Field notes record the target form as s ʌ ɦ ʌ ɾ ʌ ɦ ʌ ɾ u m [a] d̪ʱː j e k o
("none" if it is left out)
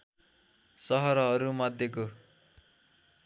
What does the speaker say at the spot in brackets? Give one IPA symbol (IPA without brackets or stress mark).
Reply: ʌ